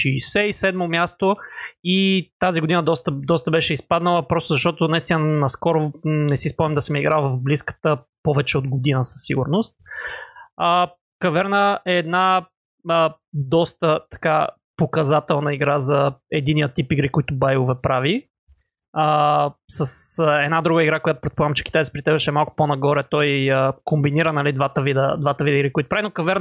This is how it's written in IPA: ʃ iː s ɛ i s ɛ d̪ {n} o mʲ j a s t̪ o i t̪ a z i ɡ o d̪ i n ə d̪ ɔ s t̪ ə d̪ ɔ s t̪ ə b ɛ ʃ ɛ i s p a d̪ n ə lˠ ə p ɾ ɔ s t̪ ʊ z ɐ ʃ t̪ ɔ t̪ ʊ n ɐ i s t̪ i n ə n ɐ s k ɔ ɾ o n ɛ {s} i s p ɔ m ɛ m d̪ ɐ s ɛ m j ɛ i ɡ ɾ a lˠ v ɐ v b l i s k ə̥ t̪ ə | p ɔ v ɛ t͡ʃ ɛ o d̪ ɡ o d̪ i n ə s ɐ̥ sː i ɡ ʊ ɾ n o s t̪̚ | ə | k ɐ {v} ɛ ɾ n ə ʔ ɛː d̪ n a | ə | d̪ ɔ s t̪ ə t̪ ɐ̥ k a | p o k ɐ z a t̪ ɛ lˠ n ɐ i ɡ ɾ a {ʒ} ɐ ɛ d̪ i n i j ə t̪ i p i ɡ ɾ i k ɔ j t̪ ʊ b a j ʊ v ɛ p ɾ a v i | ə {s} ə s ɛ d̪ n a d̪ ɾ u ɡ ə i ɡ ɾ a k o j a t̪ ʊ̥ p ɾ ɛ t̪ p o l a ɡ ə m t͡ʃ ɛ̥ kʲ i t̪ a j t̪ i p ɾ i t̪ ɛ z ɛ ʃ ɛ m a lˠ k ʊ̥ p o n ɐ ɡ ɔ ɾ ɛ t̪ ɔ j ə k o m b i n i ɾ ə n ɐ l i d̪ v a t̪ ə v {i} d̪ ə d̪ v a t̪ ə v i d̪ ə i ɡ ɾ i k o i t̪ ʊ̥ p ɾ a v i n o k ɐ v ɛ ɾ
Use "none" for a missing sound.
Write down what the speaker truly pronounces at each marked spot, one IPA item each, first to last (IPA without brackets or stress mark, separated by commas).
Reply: m, s, v, z, s, i